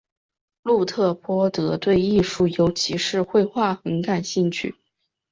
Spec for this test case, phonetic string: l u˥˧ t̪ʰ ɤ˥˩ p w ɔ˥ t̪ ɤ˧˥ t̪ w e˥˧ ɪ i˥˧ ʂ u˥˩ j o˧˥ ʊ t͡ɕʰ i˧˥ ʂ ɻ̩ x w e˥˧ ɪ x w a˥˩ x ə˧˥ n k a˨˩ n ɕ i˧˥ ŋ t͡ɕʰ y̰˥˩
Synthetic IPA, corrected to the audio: l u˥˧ t̪ʰ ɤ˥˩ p w ɔ˥ t̪ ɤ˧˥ t̪ w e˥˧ ɪ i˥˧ ʂ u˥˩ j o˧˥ ʊ t͡ɕʰ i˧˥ ʂ ɻ̩ x w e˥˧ ɪ x w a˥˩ x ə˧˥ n k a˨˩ n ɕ i˥˧ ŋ t͡ɕʰ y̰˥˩